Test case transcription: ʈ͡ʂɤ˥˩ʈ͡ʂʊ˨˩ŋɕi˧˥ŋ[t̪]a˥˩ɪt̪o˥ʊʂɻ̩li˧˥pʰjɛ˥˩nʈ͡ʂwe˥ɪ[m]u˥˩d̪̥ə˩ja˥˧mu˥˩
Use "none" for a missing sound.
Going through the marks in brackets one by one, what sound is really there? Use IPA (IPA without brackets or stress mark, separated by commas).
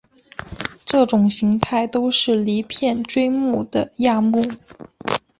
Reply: t̪ʰ, m